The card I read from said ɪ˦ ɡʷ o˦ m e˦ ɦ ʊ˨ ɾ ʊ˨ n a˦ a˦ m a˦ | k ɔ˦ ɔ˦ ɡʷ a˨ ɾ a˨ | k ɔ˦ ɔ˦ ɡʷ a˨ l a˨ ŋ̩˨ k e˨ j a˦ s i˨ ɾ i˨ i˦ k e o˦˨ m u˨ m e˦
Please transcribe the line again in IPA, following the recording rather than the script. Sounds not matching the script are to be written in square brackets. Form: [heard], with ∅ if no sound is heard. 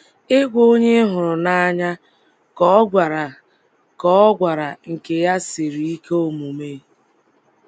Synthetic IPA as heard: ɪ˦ ɡʷ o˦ [ɲ] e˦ ɦ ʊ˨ ɾ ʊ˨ n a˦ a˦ [ɲ] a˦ | k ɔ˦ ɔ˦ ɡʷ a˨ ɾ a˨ | k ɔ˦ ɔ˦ ɡʷ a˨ [ɾ] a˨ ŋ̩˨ k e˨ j a˦ s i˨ ɾ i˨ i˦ k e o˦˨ m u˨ m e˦